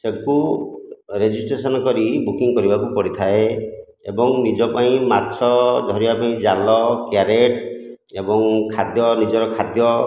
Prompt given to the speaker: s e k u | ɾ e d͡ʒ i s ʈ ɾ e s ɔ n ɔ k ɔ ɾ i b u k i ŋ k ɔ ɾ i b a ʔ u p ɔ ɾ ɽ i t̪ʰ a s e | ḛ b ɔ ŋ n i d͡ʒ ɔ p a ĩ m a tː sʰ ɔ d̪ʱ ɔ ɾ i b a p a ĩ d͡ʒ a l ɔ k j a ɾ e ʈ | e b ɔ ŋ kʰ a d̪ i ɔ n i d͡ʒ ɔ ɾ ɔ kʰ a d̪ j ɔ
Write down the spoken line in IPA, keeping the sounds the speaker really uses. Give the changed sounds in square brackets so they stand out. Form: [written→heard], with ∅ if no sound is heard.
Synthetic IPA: s e k u | ɾ e d͡ʒ i s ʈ ɾ e s ɔ n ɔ k ɔ ɾ i b u k i ŋ k ɔ ɾ i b a [ʔ→k] u p ɔ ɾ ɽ i t̪ʰ a [s→∅] e | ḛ b ɔ ŋ n i d͡ʒ ɔ p a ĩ m a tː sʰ ɔ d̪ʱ ɔ ɾ i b a p a ĩ d͡ʒ a l ɔ k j a ɾ e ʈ | e b ɔ ŋ kʰ a d̪ [i→j] ɔ n i d͡ʒ ɔ ɾ ɔ kʰ a d̪ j ɔ